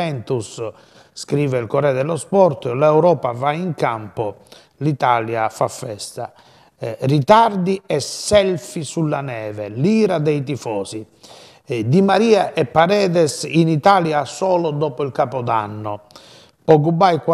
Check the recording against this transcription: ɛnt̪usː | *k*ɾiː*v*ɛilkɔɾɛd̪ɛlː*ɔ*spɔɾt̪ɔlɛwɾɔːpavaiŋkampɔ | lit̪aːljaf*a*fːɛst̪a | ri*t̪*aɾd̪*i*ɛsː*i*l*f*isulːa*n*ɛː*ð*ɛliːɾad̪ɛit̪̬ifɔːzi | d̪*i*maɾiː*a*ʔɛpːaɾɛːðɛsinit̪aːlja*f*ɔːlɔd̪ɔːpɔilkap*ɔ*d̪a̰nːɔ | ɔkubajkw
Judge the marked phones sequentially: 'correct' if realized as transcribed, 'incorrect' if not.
correct, correct, correct, correct, correct, correct, incorrect, correct, correct, incorrect, correct, correct, incorrect, correct

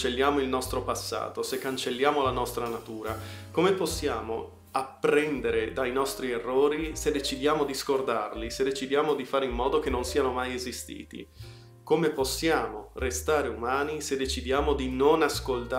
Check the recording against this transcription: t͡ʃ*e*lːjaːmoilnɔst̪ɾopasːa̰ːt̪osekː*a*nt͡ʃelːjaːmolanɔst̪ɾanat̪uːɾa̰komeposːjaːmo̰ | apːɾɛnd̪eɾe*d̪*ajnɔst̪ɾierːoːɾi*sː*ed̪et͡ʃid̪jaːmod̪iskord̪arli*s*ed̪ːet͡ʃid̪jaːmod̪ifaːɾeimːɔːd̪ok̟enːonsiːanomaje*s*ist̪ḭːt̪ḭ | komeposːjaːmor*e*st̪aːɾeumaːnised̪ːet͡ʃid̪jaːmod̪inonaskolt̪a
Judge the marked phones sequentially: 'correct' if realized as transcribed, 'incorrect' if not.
correct, correct, correct, incorrect, correct, incorrect, correct

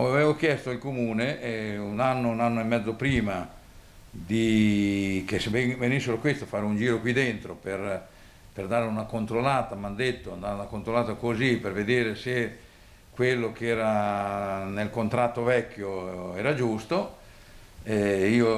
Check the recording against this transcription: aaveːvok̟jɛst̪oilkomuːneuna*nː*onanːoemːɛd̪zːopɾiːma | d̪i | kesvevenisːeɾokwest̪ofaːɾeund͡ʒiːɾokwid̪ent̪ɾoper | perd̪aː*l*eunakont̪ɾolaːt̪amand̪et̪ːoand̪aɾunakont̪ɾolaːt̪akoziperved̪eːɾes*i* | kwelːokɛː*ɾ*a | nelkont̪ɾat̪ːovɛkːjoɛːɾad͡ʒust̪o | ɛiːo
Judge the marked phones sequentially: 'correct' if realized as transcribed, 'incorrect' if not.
correct, incorrect, incorrect, correct

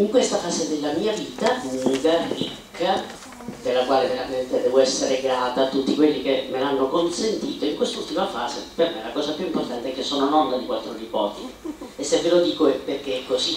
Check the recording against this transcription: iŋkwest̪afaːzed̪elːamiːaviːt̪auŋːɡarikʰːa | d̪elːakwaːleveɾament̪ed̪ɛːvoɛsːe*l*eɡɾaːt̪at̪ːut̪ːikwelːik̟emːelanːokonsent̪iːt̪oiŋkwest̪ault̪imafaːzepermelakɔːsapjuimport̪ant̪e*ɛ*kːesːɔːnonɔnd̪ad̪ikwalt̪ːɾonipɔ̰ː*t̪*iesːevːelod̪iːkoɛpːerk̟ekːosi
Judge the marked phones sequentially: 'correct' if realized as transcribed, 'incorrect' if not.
incorrect, correct, correct

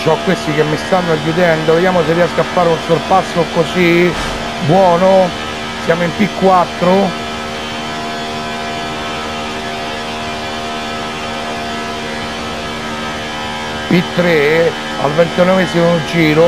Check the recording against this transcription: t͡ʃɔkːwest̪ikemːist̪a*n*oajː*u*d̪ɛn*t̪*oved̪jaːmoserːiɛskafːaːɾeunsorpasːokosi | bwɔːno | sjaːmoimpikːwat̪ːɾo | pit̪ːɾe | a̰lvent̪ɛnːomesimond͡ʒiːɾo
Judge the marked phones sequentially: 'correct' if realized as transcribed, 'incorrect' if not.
incorrect, correct, incorrect

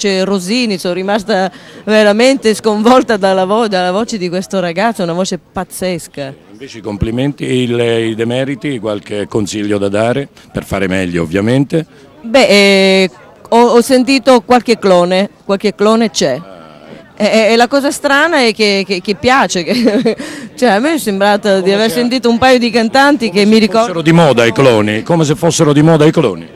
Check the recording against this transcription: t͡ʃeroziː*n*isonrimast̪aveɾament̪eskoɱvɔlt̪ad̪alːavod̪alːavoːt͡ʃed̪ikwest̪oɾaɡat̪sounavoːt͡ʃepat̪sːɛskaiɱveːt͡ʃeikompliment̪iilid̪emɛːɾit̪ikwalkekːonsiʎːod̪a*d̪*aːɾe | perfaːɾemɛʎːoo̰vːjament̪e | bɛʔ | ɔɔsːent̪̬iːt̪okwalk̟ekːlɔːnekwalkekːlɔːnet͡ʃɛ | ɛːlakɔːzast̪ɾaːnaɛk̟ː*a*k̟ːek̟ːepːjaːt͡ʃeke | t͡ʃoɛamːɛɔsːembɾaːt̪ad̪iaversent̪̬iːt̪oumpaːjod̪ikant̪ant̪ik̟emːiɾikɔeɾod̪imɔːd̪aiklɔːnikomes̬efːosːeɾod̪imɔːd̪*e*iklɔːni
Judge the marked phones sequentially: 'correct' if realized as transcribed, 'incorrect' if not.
correct, correct, incorrect, incorrect

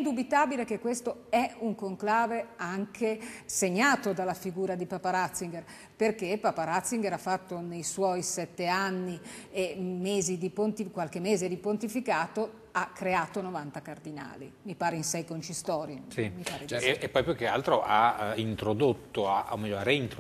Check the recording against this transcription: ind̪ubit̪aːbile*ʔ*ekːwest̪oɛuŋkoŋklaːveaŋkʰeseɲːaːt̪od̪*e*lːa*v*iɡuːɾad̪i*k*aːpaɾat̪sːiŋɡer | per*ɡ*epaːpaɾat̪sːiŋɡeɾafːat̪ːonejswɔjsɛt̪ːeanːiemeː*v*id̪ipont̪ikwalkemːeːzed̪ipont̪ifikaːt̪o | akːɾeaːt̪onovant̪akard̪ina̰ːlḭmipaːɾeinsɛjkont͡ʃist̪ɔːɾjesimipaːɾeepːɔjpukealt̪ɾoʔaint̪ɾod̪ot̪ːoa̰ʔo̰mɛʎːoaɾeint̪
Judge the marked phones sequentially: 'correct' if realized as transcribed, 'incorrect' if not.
incorrect, incorrect, incorrect, incorrect, incorrect, incorrect

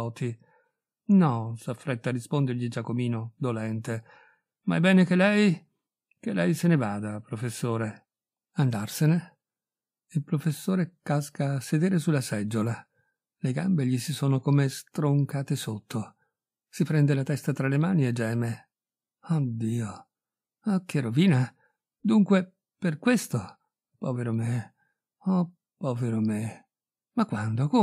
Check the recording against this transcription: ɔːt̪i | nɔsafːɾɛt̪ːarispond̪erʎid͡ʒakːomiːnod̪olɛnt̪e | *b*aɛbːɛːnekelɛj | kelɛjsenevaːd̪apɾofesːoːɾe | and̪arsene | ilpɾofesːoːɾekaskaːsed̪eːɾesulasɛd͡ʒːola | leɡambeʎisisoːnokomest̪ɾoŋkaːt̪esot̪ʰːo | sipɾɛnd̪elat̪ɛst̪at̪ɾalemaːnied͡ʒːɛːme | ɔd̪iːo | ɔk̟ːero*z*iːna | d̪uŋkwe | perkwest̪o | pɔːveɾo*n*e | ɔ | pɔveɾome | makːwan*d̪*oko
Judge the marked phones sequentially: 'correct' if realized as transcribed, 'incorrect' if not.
incorrect, incorrect, incorrect, correct

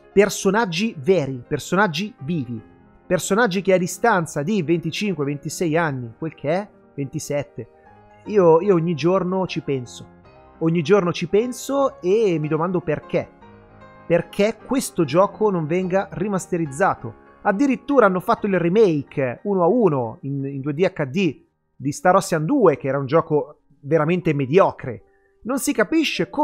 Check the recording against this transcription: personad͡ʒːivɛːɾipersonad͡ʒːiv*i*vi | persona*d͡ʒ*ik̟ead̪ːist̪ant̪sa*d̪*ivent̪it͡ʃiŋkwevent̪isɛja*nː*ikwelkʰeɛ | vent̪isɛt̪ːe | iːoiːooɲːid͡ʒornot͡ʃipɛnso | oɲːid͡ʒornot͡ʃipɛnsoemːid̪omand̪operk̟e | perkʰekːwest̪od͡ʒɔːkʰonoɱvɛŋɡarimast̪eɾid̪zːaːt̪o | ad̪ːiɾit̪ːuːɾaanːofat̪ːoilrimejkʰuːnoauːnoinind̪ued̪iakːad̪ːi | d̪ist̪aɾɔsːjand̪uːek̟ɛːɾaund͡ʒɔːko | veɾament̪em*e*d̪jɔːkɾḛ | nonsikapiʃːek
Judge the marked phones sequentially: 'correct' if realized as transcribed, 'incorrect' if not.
incorrect, incorrect, correct, correct, correct

